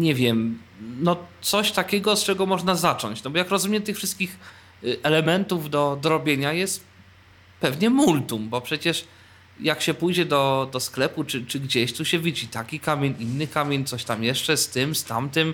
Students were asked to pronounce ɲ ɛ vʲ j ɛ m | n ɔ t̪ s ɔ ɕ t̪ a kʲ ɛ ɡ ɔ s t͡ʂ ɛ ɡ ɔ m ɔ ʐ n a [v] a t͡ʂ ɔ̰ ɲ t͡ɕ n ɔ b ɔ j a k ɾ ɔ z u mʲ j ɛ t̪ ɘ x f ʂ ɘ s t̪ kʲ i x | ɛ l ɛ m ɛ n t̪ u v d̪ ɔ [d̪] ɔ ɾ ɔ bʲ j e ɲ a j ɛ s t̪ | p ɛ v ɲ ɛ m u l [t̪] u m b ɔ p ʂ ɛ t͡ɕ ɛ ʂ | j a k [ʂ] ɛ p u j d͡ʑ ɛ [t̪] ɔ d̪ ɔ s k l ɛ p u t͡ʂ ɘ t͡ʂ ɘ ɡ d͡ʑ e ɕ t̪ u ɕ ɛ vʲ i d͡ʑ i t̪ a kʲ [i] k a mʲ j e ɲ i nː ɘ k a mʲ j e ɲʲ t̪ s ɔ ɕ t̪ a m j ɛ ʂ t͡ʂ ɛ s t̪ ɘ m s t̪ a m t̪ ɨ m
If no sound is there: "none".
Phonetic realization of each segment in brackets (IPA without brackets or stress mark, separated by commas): z, d̪, t̪, ɕ, d̪, i